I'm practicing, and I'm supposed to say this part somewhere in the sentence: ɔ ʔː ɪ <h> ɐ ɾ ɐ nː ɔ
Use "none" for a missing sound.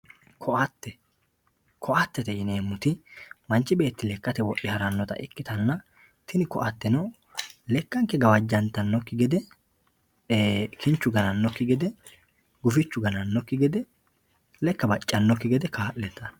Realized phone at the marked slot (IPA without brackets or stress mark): h